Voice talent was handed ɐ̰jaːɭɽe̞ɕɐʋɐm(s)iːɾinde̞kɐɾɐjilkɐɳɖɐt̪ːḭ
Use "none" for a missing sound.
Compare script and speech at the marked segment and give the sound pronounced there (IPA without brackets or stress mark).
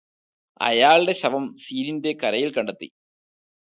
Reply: s